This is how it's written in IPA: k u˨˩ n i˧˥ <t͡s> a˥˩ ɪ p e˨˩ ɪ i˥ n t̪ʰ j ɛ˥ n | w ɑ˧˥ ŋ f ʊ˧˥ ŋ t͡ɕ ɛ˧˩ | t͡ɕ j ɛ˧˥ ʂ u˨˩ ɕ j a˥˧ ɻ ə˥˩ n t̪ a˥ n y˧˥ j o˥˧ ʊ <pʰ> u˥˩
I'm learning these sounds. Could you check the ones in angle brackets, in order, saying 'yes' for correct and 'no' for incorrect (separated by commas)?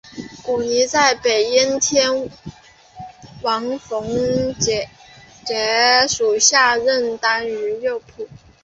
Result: yes, yes